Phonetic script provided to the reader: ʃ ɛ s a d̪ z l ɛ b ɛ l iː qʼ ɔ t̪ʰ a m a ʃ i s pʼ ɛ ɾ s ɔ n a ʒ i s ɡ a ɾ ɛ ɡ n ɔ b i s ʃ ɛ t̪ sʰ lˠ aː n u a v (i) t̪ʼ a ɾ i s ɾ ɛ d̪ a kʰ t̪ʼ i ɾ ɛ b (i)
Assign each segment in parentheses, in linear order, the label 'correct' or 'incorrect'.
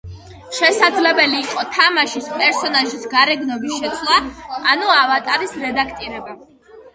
incorrect: a, incorrect: a

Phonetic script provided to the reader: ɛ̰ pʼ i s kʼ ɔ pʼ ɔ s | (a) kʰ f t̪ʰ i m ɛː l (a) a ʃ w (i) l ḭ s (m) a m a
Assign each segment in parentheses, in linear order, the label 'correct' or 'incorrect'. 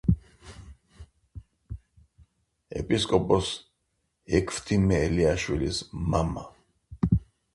incorrect: ɛ, incorrect: i, correct, correct

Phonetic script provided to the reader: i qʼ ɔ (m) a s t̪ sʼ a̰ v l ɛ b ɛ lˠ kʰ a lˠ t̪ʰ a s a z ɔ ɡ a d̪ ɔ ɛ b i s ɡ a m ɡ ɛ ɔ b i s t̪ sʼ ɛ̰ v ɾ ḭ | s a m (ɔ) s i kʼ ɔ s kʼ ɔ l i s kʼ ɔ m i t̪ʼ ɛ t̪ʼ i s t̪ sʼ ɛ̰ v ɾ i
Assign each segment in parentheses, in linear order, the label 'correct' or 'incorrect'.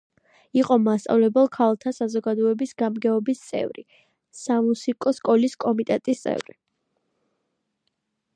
correct, incorrect: u

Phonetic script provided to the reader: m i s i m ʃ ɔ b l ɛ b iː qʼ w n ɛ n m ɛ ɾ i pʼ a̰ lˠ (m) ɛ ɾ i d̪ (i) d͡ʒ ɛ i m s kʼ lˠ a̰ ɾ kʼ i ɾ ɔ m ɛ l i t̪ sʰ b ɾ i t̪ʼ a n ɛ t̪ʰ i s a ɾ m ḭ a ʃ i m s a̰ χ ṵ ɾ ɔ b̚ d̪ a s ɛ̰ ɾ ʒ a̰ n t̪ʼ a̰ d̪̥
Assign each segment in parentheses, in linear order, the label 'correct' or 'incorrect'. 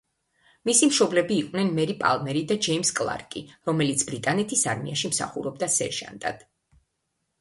correct, incorrect: a

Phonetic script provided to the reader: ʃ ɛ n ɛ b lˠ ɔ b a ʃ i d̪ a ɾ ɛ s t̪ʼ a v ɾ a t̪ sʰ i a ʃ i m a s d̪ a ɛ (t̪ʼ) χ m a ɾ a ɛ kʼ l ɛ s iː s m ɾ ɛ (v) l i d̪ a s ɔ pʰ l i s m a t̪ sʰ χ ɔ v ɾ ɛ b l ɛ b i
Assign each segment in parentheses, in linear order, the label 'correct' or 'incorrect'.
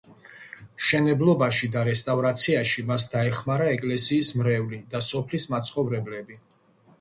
incorrect: none, correct

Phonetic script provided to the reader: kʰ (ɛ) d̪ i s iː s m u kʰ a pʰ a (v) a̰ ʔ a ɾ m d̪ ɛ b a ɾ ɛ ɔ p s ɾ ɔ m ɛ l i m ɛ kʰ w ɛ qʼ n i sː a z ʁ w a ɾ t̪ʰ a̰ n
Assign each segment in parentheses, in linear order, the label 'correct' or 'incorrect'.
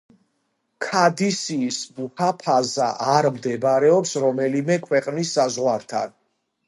incorrect: a, incorrect: z

